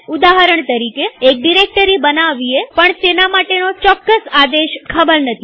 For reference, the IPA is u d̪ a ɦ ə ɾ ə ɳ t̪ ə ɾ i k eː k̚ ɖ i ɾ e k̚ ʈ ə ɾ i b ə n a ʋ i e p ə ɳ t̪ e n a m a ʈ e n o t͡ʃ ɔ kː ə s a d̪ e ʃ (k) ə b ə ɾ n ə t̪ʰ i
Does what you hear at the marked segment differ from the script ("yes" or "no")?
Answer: yes